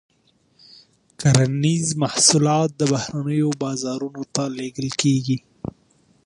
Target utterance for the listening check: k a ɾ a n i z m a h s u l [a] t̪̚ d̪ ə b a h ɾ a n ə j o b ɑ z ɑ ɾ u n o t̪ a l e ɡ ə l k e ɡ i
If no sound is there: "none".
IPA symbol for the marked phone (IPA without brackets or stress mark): ɑ